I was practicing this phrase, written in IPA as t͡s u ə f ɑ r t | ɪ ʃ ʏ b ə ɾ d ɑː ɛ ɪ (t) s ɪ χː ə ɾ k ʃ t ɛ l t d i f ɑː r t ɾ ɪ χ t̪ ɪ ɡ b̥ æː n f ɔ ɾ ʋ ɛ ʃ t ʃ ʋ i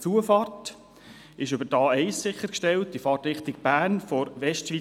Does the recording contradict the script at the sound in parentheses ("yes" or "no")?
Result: yes